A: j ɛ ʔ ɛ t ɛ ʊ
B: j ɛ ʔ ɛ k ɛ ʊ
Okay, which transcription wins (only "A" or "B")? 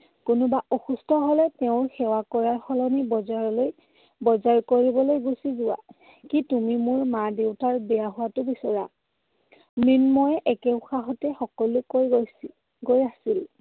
B